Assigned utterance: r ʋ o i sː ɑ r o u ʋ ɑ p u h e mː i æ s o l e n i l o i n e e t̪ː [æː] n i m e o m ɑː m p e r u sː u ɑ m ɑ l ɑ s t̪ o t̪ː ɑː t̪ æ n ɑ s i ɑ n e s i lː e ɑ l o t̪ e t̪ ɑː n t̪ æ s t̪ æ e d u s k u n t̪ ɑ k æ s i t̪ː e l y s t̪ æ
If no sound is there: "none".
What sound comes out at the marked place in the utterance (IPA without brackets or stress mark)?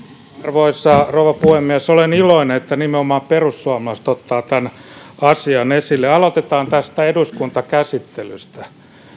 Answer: æ